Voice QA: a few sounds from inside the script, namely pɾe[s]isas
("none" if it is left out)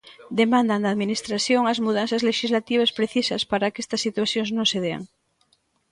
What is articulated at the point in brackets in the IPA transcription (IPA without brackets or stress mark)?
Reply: θ